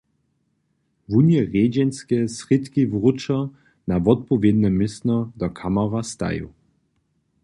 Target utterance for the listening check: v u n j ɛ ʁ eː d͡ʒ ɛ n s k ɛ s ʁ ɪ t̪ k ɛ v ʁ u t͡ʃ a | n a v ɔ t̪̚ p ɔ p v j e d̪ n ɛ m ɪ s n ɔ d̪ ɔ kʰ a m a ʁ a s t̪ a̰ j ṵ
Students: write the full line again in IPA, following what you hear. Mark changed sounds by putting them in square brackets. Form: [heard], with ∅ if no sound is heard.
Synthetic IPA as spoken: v u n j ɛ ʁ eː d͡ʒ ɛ n s k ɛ s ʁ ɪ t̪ k [i] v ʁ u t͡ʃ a | n a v ɔ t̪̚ p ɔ [∅] v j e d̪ n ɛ m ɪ s n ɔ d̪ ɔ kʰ a m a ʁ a s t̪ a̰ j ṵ